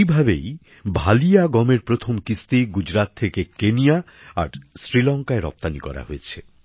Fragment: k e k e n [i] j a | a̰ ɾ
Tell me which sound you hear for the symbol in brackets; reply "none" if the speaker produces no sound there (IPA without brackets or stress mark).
i